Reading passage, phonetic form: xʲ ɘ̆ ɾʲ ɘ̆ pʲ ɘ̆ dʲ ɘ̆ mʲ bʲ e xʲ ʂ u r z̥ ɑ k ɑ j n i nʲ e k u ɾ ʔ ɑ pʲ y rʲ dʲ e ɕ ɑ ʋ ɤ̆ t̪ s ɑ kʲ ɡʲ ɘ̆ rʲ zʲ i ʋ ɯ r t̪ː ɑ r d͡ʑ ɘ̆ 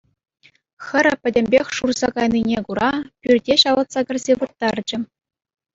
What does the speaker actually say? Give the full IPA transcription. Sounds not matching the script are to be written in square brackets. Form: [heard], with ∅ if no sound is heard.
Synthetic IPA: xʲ ɘ̆ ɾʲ ɘ̆ pʲ ɘ̆ dʲ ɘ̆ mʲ bʲ e xʲ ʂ u r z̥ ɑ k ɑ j n i nʲ e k u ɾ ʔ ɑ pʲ y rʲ dʲ e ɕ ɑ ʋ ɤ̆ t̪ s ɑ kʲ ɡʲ ɘ̆ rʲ zʲ [e] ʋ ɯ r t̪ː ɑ r d͡ʑ ɘ̆